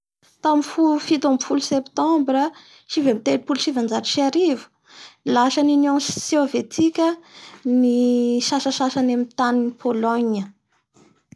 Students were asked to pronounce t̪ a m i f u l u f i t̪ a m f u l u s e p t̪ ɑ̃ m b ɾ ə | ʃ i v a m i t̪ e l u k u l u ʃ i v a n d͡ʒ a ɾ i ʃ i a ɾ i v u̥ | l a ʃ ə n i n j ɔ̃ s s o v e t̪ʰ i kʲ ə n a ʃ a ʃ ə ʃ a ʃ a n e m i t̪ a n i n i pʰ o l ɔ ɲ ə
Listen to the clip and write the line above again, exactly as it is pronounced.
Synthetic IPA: t̪ a m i f u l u f i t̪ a m f u l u s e p t̪ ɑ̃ m b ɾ ə | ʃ i v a m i t̪ e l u p u l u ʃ i v a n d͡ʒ a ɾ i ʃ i a ɾ i v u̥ | l a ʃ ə n i n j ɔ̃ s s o v e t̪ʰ i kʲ ə n i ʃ a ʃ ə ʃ a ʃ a n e m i t̪ a n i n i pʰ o l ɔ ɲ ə